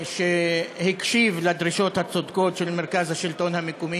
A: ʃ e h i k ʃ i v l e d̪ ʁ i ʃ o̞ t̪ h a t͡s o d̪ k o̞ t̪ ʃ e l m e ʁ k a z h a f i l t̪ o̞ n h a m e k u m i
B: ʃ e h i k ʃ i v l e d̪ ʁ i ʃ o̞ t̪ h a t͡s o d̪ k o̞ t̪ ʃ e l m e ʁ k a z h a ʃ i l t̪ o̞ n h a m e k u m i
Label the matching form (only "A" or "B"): B